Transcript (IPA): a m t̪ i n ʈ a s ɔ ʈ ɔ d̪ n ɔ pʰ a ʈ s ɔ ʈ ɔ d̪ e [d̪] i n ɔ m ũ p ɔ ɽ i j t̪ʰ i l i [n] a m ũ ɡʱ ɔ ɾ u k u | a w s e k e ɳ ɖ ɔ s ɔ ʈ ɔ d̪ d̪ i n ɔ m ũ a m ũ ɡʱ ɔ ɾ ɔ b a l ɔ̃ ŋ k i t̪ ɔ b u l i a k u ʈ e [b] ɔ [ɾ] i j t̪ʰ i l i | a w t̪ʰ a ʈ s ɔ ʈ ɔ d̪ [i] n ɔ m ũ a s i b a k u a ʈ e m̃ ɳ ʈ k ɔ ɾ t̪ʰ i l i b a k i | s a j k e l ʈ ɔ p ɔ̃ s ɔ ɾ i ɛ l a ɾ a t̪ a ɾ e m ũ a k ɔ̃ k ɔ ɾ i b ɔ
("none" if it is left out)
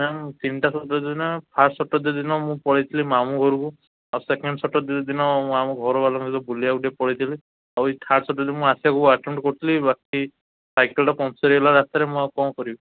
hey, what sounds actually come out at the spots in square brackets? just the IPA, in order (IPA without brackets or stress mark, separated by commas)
d̪, m, p, ɽ, i